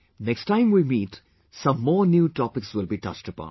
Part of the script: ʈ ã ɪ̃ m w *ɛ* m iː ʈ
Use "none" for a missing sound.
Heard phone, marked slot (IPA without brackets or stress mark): i